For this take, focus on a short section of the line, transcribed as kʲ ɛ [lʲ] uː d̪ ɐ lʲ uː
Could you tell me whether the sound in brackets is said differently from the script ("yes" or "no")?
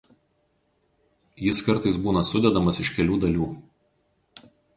no